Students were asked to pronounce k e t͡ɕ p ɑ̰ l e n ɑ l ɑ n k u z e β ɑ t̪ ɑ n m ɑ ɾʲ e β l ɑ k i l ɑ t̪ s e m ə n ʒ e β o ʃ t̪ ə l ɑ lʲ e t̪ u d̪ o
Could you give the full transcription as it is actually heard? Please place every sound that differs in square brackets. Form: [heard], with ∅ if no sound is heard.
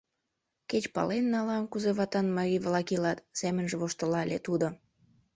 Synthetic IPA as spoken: k e t͡ɕ p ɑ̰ l e [nː] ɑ l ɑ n k u z e β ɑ t̪ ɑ n m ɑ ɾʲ [i] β l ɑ k i l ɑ t̪ s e m ə n ʒ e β o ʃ t̪ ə l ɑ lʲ e t̪ u d̪ o